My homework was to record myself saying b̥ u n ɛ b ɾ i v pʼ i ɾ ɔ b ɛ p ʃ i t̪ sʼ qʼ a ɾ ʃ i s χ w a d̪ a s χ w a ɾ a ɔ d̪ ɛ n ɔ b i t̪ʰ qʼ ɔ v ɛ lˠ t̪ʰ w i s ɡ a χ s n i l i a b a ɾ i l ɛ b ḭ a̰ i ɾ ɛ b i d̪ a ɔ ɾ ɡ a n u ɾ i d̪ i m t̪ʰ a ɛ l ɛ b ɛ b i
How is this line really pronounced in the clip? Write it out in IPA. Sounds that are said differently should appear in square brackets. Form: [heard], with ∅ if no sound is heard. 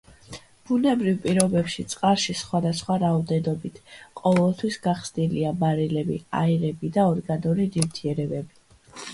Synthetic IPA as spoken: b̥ u n ɛ b ɾ i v pʼ i ɾ ɔ b ɛ p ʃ i t̪ sʼ qʼ a ɾ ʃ i s χ w a d̪ a s χ w a ɾ a ɔ d̪ ɛ n ɔ b i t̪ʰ qʼ ɔ v ɛ lˠ t̪ʰ w i s ɡ a χ s n i l i a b a ɾ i l ɛ b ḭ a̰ i ɾ ɛ b i d̪ a ɔ ɾ ɡ a n u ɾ i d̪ i m t̪ʰ [i] ɛ [ɾ] ɛ b ɛ b i